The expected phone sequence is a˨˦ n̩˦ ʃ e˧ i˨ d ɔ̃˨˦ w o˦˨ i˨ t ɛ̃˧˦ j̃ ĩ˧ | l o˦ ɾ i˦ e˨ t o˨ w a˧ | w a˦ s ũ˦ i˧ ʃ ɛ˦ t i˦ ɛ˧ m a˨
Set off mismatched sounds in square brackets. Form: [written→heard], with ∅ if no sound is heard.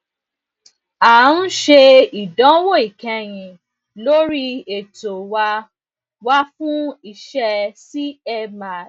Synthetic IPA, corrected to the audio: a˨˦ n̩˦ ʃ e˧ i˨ d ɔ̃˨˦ w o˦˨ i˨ [t→k] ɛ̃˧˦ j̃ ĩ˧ | l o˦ ɾ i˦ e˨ t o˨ w a˧ | w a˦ [s→f] ũ˦ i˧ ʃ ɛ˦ [t→s] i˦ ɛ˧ m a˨